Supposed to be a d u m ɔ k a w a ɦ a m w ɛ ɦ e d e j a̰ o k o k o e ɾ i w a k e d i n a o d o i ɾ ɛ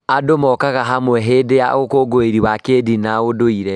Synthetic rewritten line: a d o m ɔ k a ɣ a ɦ a m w ɛ ɦ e d e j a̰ o k o ɡ o e ɾ i w a k e d i n a o d o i ɾ ɛ